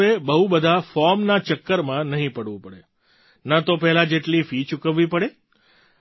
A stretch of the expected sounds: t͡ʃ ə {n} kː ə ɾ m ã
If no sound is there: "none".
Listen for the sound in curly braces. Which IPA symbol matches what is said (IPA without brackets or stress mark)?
none